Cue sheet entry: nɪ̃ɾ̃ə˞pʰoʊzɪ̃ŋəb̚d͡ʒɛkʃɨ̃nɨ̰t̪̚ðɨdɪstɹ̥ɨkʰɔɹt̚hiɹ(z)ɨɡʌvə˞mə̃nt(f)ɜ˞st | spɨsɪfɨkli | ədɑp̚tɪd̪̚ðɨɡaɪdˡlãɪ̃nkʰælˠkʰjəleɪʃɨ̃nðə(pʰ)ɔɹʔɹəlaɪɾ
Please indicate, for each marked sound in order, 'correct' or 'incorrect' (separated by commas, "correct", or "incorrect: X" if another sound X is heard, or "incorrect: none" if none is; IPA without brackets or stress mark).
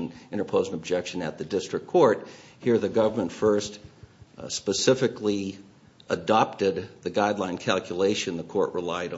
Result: incorrect: ð, correct, incorrect: kʰ